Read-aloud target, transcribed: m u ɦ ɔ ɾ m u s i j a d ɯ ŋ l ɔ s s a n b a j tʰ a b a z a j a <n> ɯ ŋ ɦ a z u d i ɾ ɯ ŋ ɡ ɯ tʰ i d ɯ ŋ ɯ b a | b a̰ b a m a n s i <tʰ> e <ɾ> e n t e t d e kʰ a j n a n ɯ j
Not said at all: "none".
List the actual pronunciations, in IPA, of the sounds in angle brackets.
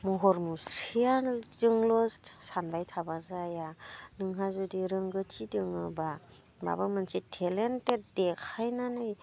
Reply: n, tʰ, l

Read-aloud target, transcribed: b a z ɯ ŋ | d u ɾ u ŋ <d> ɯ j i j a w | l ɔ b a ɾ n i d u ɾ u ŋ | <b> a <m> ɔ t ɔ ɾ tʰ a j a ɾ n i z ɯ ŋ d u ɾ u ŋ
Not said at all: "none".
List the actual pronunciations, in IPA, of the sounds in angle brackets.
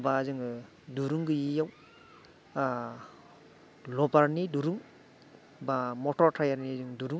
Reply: ɡ, b, m

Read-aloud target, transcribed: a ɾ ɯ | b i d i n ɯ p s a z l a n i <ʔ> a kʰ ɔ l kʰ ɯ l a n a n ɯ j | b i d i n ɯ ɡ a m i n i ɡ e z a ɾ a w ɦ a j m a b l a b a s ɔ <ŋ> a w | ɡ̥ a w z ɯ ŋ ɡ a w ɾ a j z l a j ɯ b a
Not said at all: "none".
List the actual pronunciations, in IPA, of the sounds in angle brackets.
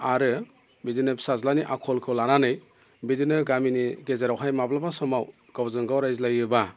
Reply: ʔ, m

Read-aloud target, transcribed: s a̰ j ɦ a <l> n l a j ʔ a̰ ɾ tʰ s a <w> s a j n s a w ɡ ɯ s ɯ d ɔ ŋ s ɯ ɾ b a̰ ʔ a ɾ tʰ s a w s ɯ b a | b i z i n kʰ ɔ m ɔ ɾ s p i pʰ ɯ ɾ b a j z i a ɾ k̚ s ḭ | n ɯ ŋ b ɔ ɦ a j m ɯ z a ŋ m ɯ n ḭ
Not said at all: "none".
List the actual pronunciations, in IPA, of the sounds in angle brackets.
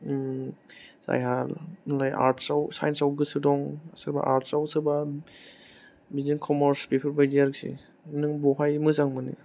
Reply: l, w

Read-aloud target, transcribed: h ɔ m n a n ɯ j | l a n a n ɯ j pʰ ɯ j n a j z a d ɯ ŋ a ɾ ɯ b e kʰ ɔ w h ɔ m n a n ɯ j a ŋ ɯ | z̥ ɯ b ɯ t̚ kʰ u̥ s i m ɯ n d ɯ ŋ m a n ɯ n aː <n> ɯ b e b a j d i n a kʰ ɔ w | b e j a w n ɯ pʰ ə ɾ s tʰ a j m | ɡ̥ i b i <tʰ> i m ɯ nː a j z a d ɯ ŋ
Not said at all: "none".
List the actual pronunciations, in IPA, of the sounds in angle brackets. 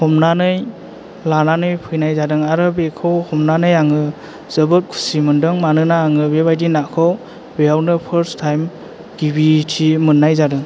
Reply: ŋ, tʰ

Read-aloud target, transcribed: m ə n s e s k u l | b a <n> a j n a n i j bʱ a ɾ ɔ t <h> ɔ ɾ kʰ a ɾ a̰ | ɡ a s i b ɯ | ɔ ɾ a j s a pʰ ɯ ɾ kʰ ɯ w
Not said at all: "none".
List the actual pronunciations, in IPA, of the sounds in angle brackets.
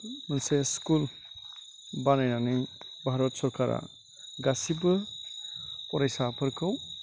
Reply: n, s

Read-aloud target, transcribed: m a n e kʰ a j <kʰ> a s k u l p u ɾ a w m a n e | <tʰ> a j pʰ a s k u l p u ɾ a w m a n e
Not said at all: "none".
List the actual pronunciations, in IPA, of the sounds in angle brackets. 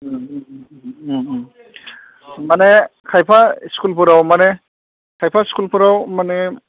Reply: pʰ, kʰ

